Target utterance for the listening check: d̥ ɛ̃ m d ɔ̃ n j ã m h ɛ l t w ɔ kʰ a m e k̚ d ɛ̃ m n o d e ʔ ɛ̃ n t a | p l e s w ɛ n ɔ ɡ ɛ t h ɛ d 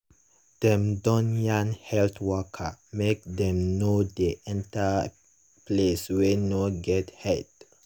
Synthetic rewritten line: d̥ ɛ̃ m d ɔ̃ n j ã n h ɛ l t w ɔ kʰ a m e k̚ d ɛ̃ m n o d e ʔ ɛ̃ n t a | p l e s w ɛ n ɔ ɡ ɛ t h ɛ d